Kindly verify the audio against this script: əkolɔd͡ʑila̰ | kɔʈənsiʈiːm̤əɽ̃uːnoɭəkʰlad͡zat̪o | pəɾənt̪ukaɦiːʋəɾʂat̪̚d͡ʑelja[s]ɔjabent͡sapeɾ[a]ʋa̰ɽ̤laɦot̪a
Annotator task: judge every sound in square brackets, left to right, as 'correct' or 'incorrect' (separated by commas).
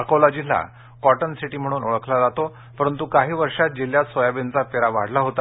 correct, correct